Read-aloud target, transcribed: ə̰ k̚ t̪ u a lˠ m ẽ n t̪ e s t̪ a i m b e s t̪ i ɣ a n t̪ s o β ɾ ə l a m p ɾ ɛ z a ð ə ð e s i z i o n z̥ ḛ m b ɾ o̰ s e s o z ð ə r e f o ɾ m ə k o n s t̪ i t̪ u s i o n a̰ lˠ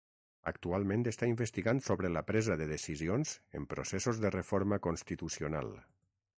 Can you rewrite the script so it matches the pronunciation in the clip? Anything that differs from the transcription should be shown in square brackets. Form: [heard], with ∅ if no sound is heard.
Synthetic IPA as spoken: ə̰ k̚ t̪ u a lˠ m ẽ n t̪ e s t̪ a i m b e s t̪ i ɣ a n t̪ s o β ɾ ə l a [∅] p ɾ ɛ z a ð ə ð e s i z i o n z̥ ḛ m [p] ɾ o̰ s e s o z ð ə r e f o ɾ m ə k o n s t̪ i t̪ u s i o n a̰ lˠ